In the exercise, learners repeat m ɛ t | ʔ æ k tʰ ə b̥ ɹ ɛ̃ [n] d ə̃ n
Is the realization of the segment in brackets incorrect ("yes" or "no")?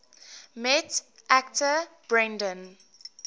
no